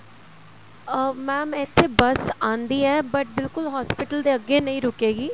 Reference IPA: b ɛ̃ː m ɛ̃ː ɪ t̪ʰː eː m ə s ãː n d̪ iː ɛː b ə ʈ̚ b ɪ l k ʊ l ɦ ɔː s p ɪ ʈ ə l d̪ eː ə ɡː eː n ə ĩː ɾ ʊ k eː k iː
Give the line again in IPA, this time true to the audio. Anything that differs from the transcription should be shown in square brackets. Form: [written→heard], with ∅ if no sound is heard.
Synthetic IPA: [b→m] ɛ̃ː m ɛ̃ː ɪ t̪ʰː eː [m→b] ə s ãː n d̪ iː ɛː b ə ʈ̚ b ɪ l k ʊ l ɦ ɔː s p ɪ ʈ ə l d̪ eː ə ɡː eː n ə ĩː ɾ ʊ k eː [k→ɡ] iː

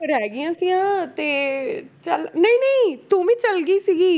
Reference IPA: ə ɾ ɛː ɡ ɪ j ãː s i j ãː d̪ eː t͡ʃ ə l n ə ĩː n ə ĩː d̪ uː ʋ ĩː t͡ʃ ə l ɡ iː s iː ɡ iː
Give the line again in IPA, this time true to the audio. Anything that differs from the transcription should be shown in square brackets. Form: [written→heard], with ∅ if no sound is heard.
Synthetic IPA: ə ɾ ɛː ɡ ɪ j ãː s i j ãː [d̪→t̪] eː t͡ʃ ə l n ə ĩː n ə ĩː [d̪→t̪] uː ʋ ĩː t͡ʃ ə l ɡ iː s iː ɡ iː

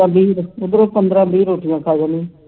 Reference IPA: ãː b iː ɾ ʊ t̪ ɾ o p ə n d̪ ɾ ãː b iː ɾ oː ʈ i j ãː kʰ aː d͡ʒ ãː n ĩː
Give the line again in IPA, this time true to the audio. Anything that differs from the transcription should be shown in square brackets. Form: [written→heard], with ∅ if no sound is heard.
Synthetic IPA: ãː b iː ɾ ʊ [t̪→d̪] ɾ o p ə n d̪ ɾ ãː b iː ɾ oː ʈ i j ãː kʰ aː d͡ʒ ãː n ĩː

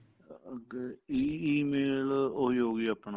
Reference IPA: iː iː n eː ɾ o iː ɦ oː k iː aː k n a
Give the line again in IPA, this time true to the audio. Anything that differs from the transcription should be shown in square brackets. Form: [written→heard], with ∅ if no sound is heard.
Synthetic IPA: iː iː [n→m] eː [ɾ→l] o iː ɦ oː [k→ɡ] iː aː [k→p] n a

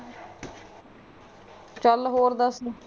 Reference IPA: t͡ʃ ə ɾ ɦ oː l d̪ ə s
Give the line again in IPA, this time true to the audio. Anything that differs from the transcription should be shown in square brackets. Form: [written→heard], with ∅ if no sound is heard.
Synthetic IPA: t͡ʃ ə [ɾ→l] ɦ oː [l→ɾ] d̪ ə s

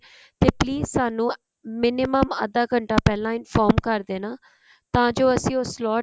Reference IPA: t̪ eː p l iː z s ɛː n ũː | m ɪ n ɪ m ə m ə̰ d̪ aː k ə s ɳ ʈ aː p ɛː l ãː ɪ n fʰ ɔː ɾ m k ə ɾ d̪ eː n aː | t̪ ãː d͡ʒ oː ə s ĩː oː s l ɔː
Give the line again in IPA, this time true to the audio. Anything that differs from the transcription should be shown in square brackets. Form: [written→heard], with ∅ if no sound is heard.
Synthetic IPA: t̪ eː p l iː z s [ɛː→aː] n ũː | m ɪ n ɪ m ə m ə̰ d̪ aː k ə [s→∅] ɳ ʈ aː p ɛː l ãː ɪ n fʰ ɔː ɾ m k ə ɾ d̪ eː n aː | t̪ ãː d͡ʒ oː ə s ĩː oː s l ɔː

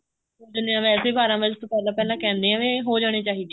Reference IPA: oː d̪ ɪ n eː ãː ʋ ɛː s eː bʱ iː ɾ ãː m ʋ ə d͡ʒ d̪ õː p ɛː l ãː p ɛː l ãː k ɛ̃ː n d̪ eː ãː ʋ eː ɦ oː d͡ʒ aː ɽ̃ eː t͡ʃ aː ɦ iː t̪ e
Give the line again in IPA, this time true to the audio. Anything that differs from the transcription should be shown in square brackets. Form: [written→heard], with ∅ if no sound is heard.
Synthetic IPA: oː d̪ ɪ n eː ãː ʋ ɛː s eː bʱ [iː→aː] ɾ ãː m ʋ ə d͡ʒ [d̪→t̪] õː p ɛː l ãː p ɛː l ãː k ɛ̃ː n d̪ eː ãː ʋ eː ɦ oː d͡ʒ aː ɽ̃ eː t͡ʃ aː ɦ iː [t̪→d̪] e

